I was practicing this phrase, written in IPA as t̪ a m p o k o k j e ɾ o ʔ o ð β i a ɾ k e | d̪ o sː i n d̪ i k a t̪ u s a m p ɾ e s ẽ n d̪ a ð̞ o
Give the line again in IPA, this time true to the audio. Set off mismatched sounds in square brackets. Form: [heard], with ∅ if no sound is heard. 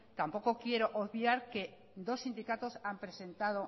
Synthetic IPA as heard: t̪ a m p o k o k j e ɾ o ʔ o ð β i a ɾ k e | d̪ o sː i n d̪ i k a t̪ [o] s a m p ɾ e s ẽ n [t̪] a ð̞ o